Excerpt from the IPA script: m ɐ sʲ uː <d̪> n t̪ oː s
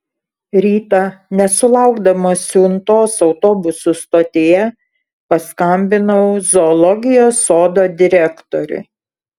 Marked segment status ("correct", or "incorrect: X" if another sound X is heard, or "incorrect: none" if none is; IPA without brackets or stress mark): incorrect: none